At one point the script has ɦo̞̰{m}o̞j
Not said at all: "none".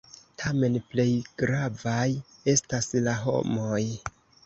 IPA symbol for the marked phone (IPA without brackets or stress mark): m